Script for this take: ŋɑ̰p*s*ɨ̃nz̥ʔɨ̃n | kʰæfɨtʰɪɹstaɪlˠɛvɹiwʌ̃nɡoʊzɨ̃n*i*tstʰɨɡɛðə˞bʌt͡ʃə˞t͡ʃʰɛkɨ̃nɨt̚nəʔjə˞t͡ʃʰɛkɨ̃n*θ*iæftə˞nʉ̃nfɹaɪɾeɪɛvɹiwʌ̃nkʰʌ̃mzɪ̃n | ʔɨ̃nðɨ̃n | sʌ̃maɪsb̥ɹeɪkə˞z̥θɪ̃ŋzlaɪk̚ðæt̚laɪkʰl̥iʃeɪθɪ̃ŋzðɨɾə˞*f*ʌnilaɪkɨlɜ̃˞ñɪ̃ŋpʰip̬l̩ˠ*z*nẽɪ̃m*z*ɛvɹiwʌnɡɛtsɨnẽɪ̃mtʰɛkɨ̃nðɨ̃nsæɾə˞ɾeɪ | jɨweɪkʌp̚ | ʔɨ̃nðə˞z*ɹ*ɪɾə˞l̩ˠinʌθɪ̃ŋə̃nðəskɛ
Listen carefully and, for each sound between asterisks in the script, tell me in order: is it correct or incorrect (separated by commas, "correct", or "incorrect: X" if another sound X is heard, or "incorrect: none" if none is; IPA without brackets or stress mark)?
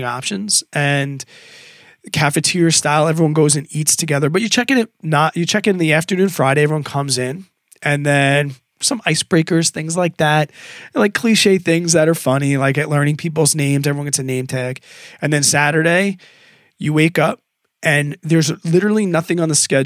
incorrect: ʃ, correct, incorrect: ð, correct, correct, correct, incorrect: l